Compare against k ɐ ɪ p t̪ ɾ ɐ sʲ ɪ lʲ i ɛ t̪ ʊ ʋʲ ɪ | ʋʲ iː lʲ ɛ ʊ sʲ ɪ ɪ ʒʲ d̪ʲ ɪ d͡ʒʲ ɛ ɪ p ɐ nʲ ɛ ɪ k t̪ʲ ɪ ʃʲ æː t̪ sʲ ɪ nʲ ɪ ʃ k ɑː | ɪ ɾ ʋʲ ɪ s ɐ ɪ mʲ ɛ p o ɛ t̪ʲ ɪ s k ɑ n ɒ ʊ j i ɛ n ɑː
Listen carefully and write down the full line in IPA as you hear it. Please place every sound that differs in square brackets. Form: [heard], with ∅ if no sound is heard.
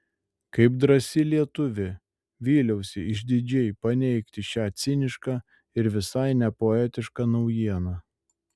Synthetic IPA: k ɐ ɪ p [d̪] ɾ ɐ sʲ ɪ lʲ i ɛ t̪ ʊ ʋʲ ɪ | ʋʲ iː lʲ ɛ ʊ sʲ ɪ ɪ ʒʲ d̪ʲ ɪ d͡ʒʲ ɛ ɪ p ɐ nʲ ɛ ɪ k t̪ʲ ɪ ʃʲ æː t̪ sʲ ɪ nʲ ɪ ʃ k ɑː | ɪ ɾ ʋʲ ɪ s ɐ ɪ [nʲ] ɛ p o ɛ t̪ʲ ɪ [ʃ] k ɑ n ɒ ʊ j i ɛ n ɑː